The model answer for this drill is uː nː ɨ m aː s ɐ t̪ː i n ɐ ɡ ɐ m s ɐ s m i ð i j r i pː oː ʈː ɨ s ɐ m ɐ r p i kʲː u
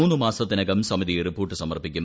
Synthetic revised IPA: uː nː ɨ m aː s ɐ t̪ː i n ɐ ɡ ɐ m s ɐ m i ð i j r i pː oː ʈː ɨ s ɐ m ɐ r p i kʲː u